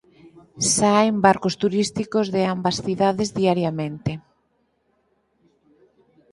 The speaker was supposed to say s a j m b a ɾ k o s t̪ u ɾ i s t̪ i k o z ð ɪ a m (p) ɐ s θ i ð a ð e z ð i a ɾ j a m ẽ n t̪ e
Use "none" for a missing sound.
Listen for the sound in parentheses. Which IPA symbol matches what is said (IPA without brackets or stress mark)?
b